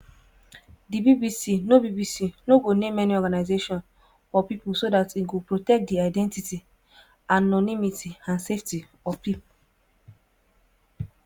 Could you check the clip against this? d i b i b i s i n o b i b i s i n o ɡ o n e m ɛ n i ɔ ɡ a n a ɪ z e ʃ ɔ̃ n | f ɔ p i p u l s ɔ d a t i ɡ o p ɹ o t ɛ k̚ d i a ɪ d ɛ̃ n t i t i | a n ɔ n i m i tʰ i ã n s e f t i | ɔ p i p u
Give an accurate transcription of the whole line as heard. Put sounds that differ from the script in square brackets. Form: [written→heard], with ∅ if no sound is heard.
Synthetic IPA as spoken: d i b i b i s i n o b i b i s i n o ɡ o n e m ɛ n i ɔ ɡ a n a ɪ z e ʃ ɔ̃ n | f ɔ p i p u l s [ɔ→o] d a t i ɡ o p ɹ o t ɛ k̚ d i a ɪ d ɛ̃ n t i t i | a n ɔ n i m i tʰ i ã n s e f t i | ɔ p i p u